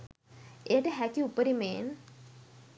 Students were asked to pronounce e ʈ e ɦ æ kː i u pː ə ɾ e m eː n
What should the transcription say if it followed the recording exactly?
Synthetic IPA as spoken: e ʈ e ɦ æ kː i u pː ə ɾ i m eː n